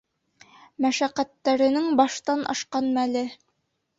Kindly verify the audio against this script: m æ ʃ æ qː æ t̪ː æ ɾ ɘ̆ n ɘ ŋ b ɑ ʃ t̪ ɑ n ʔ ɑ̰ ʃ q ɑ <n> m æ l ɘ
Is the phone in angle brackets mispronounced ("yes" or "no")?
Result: no